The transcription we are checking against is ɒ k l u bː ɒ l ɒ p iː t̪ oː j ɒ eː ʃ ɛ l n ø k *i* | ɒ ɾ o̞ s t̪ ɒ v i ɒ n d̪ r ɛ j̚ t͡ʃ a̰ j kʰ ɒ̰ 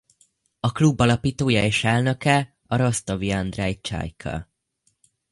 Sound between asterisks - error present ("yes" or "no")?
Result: yes